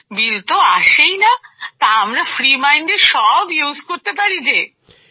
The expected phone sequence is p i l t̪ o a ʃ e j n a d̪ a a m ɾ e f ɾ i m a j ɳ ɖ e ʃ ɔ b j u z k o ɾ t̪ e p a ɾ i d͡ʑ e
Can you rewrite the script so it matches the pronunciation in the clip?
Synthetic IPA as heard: b i l t̪ o a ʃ e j n a t̪ a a m ɾ a f ɾ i m a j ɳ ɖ e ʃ ɔ b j u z k o ɾ t̪ e p a ɾ i d͡ʑ e